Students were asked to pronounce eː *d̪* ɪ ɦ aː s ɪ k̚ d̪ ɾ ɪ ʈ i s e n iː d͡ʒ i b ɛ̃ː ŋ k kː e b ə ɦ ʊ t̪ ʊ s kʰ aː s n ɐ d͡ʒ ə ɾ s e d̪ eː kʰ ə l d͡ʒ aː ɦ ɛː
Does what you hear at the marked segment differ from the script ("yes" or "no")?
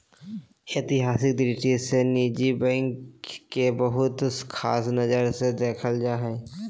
yes